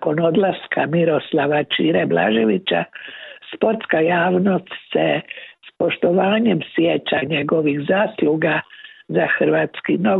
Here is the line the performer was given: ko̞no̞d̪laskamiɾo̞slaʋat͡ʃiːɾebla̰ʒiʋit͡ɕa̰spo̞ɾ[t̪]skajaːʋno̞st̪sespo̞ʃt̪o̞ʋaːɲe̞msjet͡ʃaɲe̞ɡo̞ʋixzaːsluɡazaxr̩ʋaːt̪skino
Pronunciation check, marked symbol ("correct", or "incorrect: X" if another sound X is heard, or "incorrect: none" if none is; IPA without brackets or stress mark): correct